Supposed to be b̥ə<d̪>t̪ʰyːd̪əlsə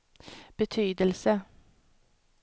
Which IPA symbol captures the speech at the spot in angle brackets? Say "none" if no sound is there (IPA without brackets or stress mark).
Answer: none